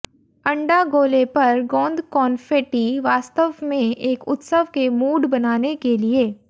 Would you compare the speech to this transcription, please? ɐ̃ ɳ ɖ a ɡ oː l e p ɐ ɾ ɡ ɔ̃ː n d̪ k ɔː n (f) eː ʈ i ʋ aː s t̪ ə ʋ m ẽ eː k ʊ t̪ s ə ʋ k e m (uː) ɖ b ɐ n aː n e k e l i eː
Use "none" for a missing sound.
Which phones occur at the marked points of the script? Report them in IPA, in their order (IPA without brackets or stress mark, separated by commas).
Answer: f, uː